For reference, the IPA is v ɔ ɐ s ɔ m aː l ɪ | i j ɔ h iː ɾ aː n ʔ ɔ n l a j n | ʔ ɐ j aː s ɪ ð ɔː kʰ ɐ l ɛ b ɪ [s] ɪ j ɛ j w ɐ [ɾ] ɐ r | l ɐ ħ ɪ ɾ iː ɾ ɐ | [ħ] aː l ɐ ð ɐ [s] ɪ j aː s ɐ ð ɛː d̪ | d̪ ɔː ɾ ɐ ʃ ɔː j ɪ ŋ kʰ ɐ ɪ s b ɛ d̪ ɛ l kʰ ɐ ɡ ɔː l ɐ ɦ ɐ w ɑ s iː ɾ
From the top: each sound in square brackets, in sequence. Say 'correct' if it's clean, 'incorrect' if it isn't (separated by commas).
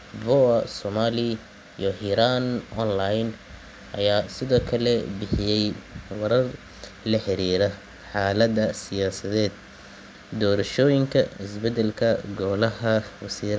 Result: incorrect, correct, correct, correct